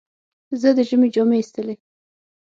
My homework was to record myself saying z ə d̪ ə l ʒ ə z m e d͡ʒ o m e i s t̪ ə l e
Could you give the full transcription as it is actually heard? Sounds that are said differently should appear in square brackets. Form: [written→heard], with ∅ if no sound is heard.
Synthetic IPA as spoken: z ə d̪ ə [l→∅] ʒ ə [z→∅] m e d͡ʒ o m e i s t̪ ə l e